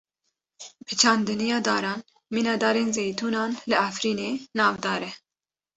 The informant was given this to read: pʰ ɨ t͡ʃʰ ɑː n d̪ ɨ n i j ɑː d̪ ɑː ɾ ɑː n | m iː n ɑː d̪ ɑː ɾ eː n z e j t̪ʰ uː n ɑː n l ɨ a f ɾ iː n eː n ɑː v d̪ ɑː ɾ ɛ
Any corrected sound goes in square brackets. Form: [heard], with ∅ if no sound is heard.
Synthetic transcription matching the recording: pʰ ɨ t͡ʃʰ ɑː n d̪ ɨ n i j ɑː d̪ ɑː ɾ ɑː n | m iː n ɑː d̪ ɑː ɾ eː n z e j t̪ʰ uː n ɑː n l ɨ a f ɾ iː n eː n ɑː v d̪ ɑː ɾ ɛ